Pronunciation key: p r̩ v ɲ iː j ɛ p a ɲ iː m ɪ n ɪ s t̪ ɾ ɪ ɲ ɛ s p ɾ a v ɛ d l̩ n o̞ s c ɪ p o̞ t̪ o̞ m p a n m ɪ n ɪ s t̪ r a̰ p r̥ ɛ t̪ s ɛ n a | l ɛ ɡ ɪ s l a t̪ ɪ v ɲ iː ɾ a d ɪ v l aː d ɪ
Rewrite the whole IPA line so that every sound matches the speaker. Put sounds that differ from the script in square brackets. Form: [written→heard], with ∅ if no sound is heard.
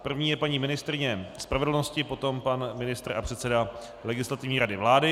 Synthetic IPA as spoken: p r̩ v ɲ iː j ɛ p a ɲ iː m ɪ n ɪ s t̪ ɾ ɪ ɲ ɛ s p ɾ a v ɛ d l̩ n o̞ s c ɪ p o̞ t̪ o̞ m p a n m ɪ n ɪ s t̪ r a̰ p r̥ ɛ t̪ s ɛ [n→d] a | l ɛ ɡ ɪ s l a t̪ ɪ v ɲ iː ɾ a d ɪ v l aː d ɪ